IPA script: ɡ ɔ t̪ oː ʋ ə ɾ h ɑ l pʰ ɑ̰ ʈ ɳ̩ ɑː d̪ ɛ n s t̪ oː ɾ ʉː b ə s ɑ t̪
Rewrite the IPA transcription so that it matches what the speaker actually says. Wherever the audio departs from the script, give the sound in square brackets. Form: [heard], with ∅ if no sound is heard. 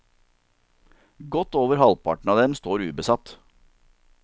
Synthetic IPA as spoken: ɡ ɔ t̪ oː ʋ ə ɾ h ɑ l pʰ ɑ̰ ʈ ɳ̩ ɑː d̪ ɛ [m] s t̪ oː ɾ ʉː b ə s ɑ t̪